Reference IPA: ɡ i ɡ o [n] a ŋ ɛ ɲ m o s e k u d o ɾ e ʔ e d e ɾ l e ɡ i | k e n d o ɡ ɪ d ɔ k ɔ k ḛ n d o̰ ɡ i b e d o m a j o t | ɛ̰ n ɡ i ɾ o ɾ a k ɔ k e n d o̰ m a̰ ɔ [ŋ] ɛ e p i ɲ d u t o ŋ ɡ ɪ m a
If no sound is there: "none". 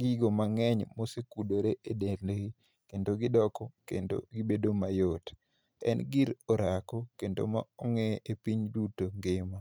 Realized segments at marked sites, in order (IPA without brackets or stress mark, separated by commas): m, ŋ